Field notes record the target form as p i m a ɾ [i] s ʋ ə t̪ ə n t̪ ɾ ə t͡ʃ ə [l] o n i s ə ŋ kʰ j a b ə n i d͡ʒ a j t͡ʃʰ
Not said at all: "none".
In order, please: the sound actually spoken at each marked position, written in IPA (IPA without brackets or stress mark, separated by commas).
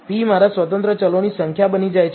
a, l